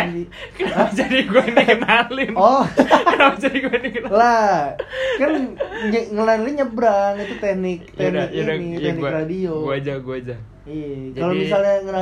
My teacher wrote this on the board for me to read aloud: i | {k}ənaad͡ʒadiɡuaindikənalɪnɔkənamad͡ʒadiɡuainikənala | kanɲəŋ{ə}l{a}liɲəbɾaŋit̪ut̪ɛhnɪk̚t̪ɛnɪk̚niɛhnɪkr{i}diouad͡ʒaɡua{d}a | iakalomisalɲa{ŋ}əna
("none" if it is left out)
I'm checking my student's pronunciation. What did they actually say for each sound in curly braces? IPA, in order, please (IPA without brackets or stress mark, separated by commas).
k, ə, a, a, d͡ʒ, ŋ